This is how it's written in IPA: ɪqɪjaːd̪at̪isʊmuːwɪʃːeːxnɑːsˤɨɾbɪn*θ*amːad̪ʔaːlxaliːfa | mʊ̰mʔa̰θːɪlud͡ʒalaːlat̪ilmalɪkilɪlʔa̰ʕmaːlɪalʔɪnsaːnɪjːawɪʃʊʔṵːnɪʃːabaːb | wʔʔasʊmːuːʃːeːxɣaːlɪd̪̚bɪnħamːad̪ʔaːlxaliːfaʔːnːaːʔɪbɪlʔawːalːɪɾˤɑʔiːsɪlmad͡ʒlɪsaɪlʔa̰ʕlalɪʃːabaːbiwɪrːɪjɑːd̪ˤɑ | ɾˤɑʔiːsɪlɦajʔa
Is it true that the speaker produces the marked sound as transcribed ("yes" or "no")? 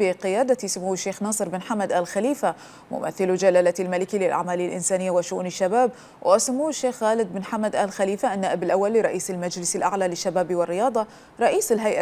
no